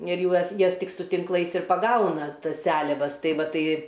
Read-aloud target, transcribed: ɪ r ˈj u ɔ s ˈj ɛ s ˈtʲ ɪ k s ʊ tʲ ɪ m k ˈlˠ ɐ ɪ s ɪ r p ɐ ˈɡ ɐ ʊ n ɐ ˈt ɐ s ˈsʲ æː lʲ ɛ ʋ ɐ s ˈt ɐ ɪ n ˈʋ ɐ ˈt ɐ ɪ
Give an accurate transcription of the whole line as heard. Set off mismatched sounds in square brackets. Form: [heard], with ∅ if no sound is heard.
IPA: ɪ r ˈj u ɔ s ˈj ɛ s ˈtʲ ɪ k s ʊ tʲ ɪ [ŋ] k ˈlˠ ɐ ɪ s ɪ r p ɐ ˈɡ ɐ ʊ n ɐ ˈt ɐ s ˈsʲ æː lʲ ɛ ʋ ɐ s ˈt ɐ ɪ [∅] ˈʋ ɐ ˈt ɐ ɪ